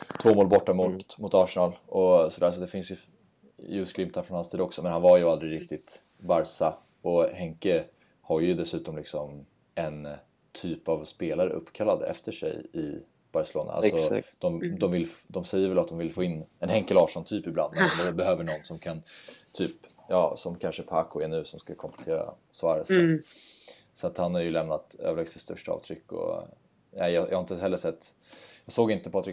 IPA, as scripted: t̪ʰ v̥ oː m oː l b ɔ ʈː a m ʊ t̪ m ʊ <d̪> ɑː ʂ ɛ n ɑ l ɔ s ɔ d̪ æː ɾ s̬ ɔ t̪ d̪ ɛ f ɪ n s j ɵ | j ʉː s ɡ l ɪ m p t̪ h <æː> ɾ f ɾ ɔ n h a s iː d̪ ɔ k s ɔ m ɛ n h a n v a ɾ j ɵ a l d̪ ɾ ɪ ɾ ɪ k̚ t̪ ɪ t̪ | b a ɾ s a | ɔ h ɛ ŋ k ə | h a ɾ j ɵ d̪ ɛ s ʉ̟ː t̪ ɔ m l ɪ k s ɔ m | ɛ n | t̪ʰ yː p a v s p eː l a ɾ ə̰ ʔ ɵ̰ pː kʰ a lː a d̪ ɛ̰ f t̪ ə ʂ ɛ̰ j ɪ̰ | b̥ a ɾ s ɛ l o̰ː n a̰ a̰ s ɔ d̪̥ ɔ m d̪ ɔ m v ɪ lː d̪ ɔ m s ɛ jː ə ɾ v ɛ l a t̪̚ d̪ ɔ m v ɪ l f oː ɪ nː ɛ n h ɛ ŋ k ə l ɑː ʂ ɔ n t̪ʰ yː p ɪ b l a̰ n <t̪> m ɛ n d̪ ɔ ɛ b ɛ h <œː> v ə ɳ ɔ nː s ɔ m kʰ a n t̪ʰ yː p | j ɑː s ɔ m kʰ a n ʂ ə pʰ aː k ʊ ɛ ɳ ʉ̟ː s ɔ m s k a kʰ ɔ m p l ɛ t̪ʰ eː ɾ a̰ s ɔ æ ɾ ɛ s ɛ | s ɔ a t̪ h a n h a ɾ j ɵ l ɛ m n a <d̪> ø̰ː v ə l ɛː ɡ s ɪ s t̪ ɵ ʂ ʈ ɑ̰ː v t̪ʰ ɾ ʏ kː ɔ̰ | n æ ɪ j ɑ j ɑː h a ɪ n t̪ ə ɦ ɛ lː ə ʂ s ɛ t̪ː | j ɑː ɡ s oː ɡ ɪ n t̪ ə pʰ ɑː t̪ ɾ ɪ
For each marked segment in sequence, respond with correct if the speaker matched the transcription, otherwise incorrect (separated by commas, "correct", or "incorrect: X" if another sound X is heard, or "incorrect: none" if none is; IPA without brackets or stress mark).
incorrect: t̪, incorrect: æ, incorrect: d̪, incorrect: øː, incorrect: t̪